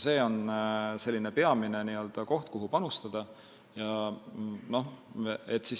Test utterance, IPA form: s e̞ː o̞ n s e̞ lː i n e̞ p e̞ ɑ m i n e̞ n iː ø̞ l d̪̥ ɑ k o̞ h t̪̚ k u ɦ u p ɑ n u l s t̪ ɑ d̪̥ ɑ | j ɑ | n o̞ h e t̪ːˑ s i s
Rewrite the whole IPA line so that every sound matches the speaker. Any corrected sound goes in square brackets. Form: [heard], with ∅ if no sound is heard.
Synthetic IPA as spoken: s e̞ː o̞ n s e̞ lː i n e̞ p e̞ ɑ m i n e̞ n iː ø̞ l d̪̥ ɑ k o̞ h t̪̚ k u ɦ u p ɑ n u [∅] s t̪ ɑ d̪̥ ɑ | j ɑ | n o̞ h e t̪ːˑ s i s